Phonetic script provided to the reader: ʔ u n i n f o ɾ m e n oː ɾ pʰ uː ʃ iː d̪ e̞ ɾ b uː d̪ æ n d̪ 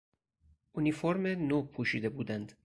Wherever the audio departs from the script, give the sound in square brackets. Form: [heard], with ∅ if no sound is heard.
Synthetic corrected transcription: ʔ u n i [∅] f o ɾ m e n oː [∅] pʰ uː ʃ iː d̪ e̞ [∅] b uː d̪ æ n d̪